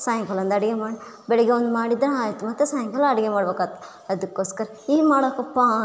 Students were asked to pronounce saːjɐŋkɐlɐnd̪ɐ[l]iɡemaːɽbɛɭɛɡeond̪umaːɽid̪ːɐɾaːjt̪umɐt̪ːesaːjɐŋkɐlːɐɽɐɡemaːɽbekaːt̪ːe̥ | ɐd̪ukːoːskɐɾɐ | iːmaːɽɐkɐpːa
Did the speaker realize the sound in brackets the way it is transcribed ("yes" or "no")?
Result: no